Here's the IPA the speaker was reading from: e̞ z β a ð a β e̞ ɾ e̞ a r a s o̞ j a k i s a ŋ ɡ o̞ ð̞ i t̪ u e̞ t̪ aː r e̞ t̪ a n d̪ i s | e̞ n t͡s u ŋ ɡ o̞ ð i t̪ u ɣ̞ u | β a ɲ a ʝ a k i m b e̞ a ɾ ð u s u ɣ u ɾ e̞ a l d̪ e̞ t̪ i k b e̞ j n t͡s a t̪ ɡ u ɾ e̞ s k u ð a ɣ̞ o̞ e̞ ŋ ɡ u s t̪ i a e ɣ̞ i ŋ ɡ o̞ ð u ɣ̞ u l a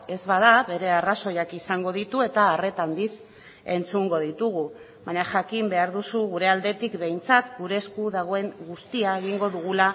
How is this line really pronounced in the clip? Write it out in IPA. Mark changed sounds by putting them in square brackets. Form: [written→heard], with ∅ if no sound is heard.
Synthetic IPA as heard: e̞ z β a ð a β e̞ ɾ e̞ a r a s o̞ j a k i s a ŋ ɡ o̞ ð̞ i t̪ u e̞ t̪ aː r e̞ t̪ a n d̪ i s | e̞ n t͡s u ŋ ɡ o̞ ð i t̪ u ɣ̞ u | β a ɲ a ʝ a k i m b e̞ a ɾ ð u s u ɣ u ɾ e̞ a l d̪ e̞ t̪ i k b e̞ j n t͡s a t̪ ɡ u ɾ e̞ s k u ð a ɣ̞ o̞ e̞ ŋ ɡ u s t̪ i a e ɣ̞ i ŋ ɡ o̞ ð u ɣ̞ u l a